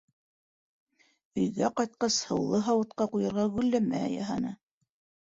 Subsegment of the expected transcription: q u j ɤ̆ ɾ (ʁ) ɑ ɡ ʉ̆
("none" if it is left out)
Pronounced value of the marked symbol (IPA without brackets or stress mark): ʁ